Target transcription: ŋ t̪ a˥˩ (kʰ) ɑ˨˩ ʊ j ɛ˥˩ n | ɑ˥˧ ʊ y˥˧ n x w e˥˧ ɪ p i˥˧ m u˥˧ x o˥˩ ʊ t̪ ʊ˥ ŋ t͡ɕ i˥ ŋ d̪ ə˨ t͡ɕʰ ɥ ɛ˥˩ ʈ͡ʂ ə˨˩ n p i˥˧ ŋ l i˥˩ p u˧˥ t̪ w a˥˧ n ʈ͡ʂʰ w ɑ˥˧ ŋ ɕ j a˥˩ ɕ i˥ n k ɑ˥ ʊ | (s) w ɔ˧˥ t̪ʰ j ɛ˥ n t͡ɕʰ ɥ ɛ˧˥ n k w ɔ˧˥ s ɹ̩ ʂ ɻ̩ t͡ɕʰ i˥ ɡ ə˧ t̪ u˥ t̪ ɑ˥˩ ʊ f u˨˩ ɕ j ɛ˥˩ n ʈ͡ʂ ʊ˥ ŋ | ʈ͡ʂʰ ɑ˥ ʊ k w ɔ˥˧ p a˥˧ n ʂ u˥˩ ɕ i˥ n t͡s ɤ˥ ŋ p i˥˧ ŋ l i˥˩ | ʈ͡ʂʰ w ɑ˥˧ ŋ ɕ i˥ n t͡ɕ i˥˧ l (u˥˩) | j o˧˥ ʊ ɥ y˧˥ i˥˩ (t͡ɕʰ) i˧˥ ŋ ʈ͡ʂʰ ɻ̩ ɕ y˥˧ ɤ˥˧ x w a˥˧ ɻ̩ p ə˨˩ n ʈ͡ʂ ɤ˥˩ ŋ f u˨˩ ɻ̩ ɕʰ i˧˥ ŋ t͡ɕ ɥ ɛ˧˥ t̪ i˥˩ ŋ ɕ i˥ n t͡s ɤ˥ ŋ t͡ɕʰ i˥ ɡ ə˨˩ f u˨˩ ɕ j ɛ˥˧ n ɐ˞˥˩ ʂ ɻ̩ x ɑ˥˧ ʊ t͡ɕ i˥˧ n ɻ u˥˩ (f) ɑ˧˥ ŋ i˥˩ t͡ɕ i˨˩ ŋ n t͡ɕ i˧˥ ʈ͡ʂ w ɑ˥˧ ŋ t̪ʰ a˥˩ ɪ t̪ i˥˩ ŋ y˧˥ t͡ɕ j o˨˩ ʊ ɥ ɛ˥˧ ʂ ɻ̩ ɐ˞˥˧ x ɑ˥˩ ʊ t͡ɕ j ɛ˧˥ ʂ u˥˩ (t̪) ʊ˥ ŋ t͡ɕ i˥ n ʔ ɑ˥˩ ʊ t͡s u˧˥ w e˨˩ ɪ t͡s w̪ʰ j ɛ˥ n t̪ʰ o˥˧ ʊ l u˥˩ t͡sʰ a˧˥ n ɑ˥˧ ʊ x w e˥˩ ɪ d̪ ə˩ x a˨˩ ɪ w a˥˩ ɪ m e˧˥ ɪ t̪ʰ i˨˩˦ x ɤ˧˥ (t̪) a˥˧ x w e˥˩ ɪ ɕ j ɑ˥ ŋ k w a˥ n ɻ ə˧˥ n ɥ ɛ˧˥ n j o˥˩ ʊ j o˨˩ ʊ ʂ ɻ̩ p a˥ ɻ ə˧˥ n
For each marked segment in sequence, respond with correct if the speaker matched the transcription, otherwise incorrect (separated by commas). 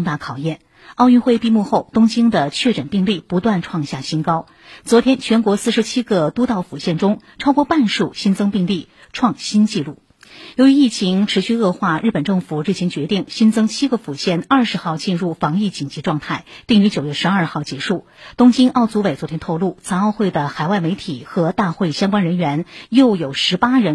correct, incorrect, correct, correct, correct, correct, correct